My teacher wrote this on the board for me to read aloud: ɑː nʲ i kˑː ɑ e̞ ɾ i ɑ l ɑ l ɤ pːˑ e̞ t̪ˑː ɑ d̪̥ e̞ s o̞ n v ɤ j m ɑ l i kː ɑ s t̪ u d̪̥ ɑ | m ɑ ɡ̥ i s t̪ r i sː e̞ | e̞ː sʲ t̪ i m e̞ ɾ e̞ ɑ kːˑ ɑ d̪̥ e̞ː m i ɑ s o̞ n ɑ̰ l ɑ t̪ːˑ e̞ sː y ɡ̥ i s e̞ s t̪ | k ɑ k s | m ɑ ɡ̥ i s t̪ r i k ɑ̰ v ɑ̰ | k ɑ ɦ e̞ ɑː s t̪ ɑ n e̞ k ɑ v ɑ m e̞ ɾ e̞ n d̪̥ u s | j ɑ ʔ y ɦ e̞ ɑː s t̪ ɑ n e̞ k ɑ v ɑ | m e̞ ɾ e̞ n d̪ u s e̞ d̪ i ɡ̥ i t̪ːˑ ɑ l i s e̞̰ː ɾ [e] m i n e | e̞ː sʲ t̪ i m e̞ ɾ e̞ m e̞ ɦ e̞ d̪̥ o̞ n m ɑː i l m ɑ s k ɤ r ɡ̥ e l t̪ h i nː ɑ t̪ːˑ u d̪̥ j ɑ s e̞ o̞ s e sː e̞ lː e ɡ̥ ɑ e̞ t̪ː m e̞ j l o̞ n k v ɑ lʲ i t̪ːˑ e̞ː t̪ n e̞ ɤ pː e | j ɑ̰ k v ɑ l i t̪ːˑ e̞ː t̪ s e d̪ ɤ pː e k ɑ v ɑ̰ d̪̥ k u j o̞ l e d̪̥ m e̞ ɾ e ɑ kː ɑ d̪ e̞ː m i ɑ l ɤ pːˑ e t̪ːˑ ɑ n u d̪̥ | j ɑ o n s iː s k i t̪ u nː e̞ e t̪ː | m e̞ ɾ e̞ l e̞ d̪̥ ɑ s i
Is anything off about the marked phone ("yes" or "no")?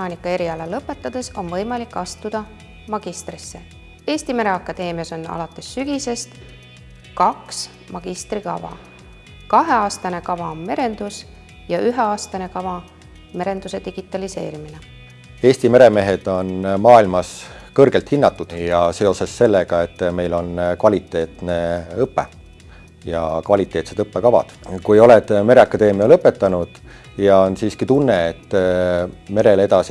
yes